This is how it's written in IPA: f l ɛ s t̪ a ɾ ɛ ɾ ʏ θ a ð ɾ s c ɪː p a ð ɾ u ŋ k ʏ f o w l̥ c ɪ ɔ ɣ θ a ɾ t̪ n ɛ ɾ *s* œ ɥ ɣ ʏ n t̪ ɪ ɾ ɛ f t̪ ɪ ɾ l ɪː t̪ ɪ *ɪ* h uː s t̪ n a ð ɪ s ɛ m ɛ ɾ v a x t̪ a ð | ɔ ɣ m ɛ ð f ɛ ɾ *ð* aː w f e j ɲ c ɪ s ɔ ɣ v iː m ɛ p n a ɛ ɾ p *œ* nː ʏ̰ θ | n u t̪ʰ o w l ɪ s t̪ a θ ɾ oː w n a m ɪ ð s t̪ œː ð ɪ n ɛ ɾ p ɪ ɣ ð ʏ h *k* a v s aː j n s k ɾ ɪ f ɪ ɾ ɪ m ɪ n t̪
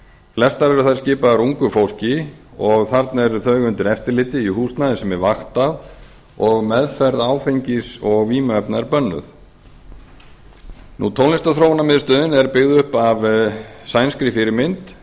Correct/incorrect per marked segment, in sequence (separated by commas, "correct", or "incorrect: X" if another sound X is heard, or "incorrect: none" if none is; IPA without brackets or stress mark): incorrect: θ, incorrect: i, correct, correct, incorrect: p